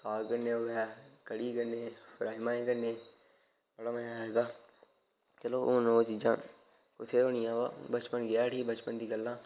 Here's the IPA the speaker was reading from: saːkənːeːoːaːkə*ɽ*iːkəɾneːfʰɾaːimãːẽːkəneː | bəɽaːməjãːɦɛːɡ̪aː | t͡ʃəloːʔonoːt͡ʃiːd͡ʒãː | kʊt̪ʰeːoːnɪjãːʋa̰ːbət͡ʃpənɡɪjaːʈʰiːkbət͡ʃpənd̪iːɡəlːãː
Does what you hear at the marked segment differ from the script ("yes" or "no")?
no